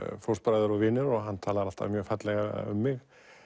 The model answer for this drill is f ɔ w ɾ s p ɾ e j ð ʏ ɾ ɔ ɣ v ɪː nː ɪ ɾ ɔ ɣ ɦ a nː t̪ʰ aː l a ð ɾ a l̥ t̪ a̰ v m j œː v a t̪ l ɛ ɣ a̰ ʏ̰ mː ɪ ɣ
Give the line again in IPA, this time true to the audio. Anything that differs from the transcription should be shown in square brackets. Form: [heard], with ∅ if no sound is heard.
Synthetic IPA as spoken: f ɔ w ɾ s p ɾ [a] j ð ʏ ɾ ɔ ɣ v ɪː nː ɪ ɾ ɔ ɣ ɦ a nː t̪ʰ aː l a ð ɾ a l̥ t̪ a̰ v m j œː [f] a t̪ l ɛ ɣ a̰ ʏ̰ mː ɪ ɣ